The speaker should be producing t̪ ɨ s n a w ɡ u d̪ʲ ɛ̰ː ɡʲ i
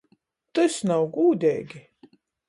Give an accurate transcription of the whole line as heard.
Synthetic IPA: t̪ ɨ s n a w ɡ uː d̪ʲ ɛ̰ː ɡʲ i

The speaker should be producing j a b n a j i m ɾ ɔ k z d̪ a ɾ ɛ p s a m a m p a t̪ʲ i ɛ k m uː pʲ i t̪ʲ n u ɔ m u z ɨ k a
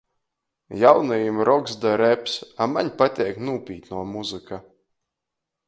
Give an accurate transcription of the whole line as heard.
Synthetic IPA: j a w n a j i m ɾ ɔ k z d̪ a ɾ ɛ p s a m a ɲ p a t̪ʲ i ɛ k n uː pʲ iː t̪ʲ n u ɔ m u z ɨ k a

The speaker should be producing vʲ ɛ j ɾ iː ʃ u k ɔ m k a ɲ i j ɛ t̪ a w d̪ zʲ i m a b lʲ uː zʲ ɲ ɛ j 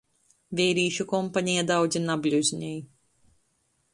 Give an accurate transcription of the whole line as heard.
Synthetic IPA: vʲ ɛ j ɾ iː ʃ u k ɔ m p a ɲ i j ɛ d̪ a w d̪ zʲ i n a b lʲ u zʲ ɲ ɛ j

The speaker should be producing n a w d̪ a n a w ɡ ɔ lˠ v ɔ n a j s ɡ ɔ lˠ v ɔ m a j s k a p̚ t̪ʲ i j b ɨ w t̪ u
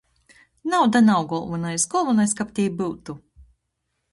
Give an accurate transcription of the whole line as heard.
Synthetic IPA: n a w d̪ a n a w ɡ ɔ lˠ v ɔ n a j s ɡ ɔ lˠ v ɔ n a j s k a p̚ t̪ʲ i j b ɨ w t̪ u

